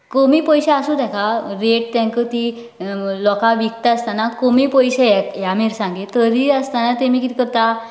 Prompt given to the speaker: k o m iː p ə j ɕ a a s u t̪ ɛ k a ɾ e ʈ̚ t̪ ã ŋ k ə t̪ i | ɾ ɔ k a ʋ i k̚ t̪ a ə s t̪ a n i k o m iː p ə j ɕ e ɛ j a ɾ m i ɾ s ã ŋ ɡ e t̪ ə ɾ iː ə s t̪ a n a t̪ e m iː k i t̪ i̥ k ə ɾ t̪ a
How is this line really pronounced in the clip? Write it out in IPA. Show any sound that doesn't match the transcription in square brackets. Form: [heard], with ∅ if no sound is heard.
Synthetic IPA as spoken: k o m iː p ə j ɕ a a s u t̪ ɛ k a ɾ e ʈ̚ t̪ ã ŋ k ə t̪ i | [l] ɔ k a ʋ i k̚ t̪ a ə s t̪ a n [a] k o m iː p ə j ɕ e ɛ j a [∅] m i ɾ s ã ŋ ɡ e t̪ ə ɾ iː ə s t̪ a n a t̪ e m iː k i t̪ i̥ k ə ɾ t̪ a

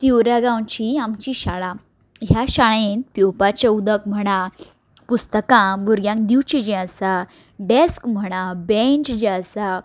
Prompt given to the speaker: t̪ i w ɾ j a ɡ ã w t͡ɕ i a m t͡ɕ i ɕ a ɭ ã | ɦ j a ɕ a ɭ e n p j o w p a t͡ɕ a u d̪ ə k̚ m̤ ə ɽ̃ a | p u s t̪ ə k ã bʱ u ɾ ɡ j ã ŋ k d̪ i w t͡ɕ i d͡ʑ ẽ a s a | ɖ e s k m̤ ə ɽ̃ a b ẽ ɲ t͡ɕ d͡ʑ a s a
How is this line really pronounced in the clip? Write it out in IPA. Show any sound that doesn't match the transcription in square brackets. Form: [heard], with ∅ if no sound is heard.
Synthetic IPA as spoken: t̪ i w ɾ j a ɡ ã w t͡ɕ i a m t͡ɕ i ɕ a ɭ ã | ɦ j a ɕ a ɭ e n p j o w p a t͡ɕ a u d̪ ə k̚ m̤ ə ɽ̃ a | p u s t̪ ə k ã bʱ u ɾ ɡ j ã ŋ k d̪ i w t͡ɕ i d͡ʑ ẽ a s a | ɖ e s k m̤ ə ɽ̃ a b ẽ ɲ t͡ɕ d͡ʑ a s a

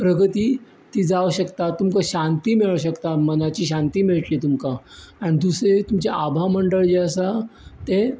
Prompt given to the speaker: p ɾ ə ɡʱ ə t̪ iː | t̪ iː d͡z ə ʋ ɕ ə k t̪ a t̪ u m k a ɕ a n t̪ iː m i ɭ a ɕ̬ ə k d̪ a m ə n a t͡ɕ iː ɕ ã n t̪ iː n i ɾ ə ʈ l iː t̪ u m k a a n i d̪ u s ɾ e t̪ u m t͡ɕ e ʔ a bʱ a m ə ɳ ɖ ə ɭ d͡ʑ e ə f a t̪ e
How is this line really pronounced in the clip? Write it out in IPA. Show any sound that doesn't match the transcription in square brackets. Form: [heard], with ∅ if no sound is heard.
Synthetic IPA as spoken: p ɾ ə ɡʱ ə t̪ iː | t̪ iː d͡z [a] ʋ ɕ ə k t̪ a t̪ u m k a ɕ a n t̪ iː m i ɭ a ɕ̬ ə k [t̪] a m ə n a t͡ɕ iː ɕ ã n t̪ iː [m] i [ɭ] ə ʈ l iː t̪ u m k a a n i d̪ u s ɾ e t̪ u m t͡ɕ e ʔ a bʱ a m ə ɳ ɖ ə ɭ d͡ʑ e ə [s] a t̪ e

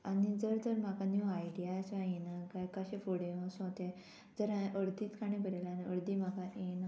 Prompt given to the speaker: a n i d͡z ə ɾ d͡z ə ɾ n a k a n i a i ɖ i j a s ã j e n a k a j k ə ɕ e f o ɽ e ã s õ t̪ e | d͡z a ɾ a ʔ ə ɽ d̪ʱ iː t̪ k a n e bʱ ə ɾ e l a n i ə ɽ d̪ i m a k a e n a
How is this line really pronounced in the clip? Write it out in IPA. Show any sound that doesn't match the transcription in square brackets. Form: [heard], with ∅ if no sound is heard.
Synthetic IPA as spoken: a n i d͡z ə ɾ d͡z ə ɾ [m] a k a n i a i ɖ i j a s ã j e n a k a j k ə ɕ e f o ɽ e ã s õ t̪ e | d͡z [ə] ɾ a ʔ ə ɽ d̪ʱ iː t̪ k a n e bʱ ə ɾ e l a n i ə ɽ d̪ i m a k a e n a

